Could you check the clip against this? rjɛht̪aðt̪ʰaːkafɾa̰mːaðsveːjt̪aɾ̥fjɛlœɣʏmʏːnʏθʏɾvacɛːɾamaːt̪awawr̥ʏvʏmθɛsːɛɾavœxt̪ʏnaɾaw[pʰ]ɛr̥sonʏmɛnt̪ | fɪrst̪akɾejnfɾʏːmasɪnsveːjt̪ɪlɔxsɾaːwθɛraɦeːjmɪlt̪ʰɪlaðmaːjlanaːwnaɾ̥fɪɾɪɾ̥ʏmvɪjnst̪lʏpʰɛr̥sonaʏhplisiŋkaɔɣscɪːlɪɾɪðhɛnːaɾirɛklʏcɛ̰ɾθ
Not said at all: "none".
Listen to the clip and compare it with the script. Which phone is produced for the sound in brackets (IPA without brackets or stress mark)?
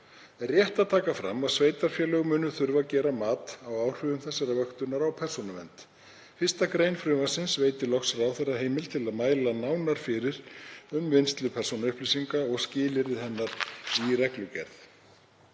pʰ